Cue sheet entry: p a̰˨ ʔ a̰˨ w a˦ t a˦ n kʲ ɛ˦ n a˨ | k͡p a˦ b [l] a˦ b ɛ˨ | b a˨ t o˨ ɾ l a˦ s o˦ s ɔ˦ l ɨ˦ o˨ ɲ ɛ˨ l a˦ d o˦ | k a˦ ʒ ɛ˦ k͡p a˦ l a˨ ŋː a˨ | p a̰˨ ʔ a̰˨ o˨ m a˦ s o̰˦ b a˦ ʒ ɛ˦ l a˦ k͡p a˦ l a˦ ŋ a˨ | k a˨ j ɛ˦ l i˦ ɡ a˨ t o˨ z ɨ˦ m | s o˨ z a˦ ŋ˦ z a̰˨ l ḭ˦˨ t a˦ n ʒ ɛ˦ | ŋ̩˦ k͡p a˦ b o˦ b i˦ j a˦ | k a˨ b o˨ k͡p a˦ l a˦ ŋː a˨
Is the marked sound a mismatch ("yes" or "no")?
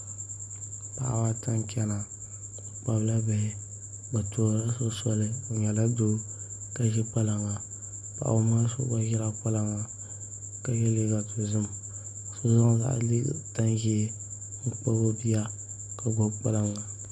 no